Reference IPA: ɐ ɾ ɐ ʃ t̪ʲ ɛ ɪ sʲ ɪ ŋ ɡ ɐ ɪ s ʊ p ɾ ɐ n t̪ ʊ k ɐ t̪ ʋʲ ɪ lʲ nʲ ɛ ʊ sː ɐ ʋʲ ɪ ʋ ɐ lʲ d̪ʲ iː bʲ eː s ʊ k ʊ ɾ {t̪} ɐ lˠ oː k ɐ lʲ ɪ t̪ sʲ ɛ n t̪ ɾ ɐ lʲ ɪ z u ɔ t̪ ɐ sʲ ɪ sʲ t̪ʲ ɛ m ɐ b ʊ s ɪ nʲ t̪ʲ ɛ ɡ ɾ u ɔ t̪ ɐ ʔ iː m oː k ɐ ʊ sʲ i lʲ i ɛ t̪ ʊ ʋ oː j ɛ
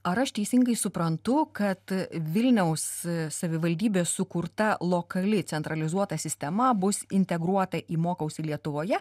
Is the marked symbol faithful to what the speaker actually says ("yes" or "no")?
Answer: yes